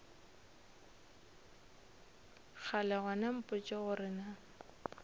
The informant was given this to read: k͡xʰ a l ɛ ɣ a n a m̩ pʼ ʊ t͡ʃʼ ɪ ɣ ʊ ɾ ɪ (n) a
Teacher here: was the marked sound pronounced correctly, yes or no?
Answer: yes